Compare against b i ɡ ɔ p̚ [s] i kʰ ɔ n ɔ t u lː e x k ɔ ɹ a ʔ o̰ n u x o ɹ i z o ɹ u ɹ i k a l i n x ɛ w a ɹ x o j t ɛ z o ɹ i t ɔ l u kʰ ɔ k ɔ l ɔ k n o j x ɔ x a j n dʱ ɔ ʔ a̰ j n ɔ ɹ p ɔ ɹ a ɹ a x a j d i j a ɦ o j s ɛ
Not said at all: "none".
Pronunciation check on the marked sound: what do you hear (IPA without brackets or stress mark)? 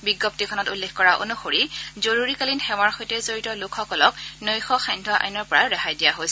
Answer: t